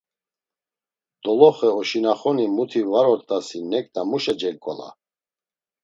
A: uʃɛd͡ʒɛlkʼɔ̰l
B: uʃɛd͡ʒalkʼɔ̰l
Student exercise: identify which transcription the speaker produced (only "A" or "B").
A